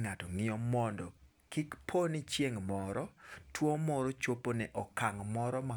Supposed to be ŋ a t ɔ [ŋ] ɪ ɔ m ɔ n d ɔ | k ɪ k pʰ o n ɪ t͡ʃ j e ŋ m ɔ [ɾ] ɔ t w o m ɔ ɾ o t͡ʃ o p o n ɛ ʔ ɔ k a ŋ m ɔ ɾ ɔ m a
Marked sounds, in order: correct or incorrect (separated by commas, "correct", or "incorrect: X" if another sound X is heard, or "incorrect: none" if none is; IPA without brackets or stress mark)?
correct, correct